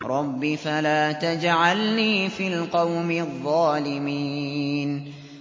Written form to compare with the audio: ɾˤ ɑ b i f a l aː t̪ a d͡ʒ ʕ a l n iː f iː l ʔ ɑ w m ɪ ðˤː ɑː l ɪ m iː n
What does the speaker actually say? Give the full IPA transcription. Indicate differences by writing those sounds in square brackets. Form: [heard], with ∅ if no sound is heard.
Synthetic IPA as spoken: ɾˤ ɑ [bː] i f a l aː t̪ a d͡ʒ ʕ a l n iː f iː l [q] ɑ w m ɪ ðˤː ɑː l ɪ m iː n